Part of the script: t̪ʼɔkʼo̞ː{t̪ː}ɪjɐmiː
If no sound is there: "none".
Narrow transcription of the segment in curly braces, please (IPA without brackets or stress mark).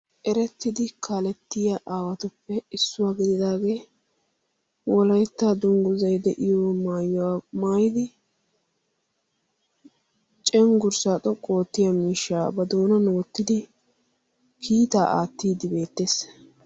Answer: t̪ː